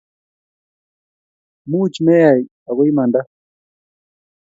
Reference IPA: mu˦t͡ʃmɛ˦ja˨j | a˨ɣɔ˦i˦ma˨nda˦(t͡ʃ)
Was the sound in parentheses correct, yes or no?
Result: no